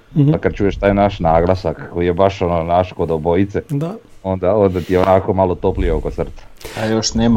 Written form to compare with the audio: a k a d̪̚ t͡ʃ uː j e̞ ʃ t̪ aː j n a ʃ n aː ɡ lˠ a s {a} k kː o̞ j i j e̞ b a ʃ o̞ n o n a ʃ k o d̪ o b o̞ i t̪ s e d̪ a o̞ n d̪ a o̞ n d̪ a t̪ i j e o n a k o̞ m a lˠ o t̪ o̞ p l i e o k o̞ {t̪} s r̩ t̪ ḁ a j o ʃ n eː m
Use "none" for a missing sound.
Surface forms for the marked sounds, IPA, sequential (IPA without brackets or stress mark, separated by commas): a, t̪